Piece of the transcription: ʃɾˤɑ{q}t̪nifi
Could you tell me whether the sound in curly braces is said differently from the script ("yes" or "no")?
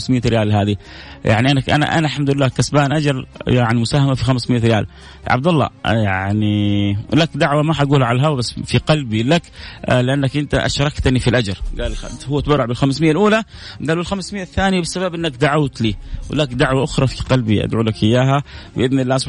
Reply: yes